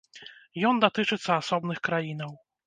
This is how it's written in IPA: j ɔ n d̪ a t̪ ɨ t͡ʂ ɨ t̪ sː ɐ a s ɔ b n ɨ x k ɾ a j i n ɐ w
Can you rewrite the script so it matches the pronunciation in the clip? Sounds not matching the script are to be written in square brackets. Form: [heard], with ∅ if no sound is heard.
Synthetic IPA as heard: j ɔ n d̪ a t̪ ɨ t͡ʂ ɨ t̪ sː ɐ a s ɔ b n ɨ x k ɾ a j i n ɐ w

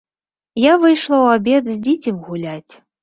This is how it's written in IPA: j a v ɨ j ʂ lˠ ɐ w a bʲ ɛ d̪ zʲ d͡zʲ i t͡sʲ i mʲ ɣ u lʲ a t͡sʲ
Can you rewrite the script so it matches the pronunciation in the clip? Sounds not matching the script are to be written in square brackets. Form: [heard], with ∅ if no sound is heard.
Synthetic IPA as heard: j a v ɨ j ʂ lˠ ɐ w a bʲ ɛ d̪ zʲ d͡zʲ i t͡sʲ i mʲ ɣ u lʲ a t͡sʲ

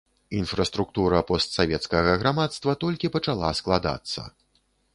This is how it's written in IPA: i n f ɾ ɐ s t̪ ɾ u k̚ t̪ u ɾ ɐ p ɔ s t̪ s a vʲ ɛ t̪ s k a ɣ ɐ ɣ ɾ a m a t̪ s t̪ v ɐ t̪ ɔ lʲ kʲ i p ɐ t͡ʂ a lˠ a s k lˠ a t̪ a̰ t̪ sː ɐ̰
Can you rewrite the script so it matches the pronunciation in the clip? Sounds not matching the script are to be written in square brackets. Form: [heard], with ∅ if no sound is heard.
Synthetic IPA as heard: i n f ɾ ɐ s t̪ ɾ u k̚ t̪ u ɾ ɐ p ɔ s t̪ s a vʲ ɛ t̪ s k [ɐ] ɣ ɐ ɣ ɾ a m a t̪ s t̪ v ɐ t̪ ɔ lʲ kʲ i p ɐ t͡ʂ a lˠ a s k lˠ a [d̪] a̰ t̪ sː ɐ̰

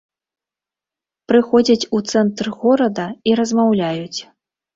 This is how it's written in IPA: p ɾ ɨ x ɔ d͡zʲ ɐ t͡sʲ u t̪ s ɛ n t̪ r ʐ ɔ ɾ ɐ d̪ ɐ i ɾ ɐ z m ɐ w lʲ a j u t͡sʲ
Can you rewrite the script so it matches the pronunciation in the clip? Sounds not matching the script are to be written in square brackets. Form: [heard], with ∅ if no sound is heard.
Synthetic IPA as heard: p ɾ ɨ x ɔ d͡zʲ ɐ t͡sʲ u t̪ s ɛ n t̪ r [ɣ] ɔ ɾ ɐ d̪ ɐ i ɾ ɐ z m [a] w lʲ a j u t͡sʲ

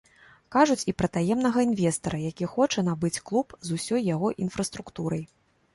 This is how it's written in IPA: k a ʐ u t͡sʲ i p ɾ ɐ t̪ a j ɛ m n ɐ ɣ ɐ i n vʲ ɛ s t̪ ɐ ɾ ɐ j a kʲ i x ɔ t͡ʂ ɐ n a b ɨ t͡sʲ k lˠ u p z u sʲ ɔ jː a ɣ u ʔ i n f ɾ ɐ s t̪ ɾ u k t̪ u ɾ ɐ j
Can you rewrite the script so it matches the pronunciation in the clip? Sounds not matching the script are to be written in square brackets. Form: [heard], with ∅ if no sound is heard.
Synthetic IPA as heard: k a ʐ u t͡sʲ i p ɾ ɐ t̪ a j ɛ m n ɐ ɣ ɐ i n vʲ ɛ s t̪ ɐ ɾ ɐ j a kʲ i x ɔ t͡ʂ ɐ n a b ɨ t͡sʲ k lˠ u p z u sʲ ɔ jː a ɣ [ɔ] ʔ i n f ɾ ɐ s t̪ ɾ u k t̪ u ɾ ɐ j

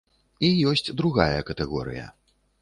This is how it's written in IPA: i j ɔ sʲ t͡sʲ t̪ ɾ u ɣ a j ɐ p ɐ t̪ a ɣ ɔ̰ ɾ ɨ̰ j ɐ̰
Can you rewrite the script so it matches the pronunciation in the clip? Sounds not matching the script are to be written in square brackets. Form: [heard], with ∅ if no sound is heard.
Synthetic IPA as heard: i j ɔ sʲ t͡sʲ [d̪] ɾ u ɣ a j ɐ [k] ɐ t̪ [ɛ] ɣ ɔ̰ ɾ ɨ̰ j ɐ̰

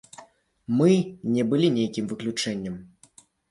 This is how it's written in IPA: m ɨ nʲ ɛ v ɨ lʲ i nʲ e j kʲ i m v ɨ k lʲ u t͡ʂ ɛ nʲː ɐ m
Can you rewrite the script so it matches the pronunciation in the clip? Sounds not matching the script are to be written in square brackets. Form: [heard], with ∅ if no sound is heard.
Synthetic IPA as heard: m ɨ nʲ ɛ [b] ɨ lʲ i nʲ e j kʲ i m v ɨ k lʲ u t͡ʂ ɛ nʲː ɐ m

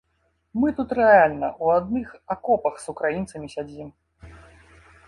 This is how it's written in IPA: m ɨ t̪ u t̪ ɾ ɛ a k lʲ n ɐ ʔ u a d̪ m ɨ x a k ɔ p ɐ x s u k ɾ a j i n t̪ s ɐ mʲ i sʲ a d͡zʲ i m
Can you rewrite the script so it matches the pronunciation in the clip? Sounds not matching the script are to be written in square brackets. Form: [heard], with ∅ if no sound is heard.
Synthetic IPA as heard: m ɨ t̪ u t̪ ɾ ɛ a [∅] lʲ n ɐ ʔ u a d̪ [n] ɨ x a k ɔ p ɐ x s u k ɾ a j i n t̪ s ɐ mʲ i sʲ a d͡zʲ i m

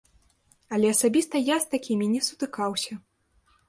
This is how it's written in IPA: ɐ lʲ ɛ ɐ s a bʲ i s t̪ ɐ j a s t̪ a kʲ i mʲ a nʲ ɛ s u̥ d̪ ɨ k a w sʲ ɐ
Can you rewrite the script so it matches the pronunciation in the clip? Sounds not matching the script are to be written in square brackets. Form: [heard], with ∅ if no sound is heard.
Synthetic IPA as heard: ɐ lʲ ɛ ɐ s a bʲ i s t̪ ɐ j a s t̪ a kʲ i mʲ [i] nʲ ɛ s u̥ [t̪] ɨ k a w sʲ ɐ

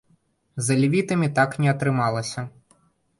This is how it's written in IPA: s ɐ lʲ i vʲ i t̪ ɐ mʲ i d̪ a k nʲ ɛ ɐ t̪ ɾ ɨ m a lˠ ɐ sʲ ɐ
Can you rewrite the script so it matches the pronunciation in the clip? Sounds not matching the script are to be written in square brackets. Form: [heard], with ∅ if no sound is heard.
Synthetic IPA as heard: [z] ɐ lʲ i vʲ i t̪ ɐ mʲ i [t̪] a k nʲ ɛ ɐ t̪ ɾ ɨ m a lˠ ɐ sʲ ɐ

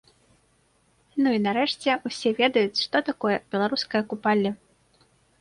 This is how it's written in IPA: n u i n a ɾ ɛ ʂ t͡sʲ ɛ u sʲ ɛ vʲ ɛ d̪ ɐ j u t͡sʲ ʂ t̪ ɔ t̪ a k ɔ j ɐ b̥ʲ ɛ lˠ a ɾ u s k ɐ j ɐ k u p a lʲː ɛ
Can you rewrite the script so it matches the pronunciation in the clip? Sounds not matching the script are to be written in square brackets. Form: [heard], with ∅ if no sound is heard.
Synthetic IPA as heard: n u i n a ɾ ɛ ʂ t͡sʲ ɛ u sʲ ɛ vʲ ɛ d̪ ɐ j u t͡sʲ ʂ t̪ ɔ t̪ a k ɔ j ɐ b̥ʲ ɛ lˠ a ɾ u s k ɐ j ɐ k u p a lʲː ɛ

